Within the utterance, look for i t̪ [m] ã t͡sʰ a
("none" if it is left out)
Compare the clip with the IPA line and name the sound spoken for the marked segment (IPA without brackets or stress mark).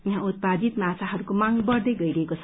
m